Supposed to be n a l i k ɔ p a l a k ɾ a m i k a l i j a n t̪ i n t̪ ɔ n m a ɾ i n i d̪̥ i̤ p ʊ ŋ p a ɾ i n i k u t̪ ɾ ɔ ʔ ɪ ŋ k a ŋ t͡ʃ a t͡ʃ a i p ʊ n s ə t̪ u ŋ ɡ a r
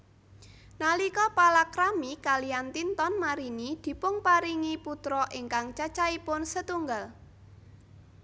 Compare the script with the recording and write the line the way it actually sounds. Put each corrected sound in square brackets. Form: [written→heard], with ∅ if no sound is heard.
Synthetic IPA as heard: n a l i k ɔ p a l a k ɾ a m i k a l i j a n t̪ i n t̪ ɔ n m a ɾ i n i d̪̥ i̤ p ʊ ŋ p a ɾ i [n→ŋ] i [k→p] u t̪ ɾ ɔ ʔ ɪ ŋ k a ŋ t͡ʃ a t͡ʃ a i p ʊ n s ə t̪ u ŋ ɡ a [r→l]